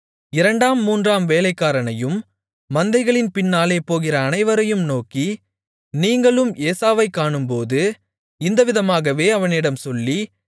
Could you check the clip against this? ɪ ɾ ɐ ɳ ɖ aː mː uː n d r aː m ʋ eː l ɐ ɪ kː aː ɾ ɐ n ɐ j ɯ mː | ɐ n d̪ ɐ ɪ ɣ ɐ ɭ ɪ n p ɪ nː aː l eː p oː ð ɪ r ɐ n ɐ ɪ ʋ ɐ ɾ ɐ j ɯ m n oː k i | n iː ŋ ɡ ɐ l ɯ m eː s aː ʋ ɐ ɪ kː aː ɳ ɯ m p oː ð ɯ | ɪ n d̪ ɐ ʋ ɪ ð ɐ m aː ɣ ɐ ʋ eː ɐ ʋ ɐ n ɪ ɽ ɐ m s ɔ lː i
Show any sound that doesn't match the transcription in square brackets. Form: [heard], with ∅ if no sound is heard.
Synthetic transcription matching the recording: ɪ ɾ ɐ ɳ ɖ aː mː uː n d r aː m ʋ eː l ɐ ɪ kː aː ɾ ɐ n ɐ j ɯ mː | ɐ n d̪ ɐ ɪ ɣ ɐ ɭ ɪ n p ɪ nː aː l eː p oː [ɣ] ɪ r [ɐː] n ɐ ɪ ʋ ɐ ɾ ɐ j ɯ m n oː k i | n iː ŋ ɡ ɐ [ɭ] ɯ m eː s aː ʋ ɐ ɪ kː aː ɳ ɯ m p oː ð ɯ | ɪ n d̪ ɐ ʋ ɪ ð ɐ m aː ɣ ɐ ʋ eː ɐ ʋ ɐ n ɪ ɽ ɐ m s ɔ lː i